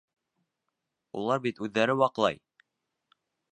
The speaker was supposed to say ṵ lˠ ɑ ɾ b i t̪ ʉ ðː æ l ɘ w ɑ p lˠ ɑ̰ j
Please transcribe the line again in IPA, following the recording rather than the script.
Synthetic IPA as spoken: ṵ lˠ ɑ ɾ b i t̪ ʉ ðː æ ɾ ɘ w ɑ q lˠ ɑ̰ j